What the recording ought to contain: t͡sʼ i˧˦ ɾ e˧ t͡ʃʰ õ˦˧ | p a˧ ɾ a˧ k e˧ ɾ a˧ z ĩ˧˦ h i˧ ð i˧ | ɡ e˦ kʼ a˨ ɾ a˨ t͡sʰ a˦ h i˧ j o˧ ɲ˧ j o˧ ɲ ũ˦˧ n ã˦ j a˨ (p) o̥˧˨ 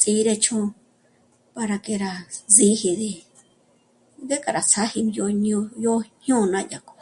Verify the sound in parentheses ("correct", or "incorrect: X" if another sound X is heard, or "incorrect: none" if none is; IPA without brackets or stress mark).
incorrect: k